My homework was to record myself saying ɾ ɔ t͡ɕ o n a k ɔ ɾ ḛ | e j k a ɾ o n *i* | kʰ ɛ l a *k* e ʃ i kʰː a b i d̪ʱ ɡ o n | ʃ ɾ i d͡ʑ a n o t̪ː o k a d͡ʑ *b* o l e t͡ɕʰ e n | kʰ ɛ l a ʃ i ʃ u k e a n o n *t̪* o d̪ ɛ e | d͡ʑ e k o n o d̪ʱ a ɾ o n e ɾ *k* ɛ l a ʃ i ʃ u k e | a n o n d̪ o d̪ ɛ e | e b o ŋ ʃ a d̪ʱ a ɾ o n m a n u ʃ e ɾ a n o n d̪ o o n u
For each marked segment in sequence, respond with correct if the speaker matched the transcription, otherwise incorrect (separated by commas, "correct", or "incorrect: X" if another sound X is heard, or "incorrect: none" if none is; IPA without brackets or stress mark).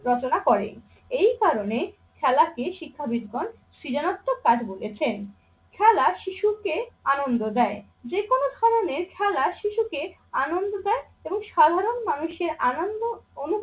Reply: incorrect: e, correct, correct, incorrect: d̪, incorrect: kʰ